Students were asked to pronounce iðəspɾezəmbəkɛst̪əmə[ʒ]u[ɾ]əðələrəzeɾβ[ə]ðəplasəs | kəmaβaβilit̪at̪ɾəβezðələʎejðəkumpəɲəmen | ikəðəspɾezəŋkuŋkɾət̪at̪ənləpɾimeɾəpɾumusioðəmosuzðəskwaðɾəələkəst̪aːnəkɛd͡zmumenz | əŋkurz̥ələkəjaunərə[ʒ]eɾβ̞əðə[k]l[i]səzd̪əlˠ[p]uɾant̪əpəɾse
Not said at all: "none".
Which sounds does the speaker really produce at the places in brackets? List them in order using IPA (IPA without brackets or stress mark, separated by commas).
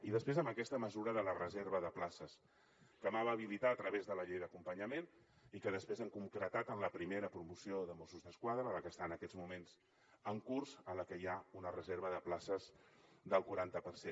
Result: z, ɾ, ə, z, p, a, k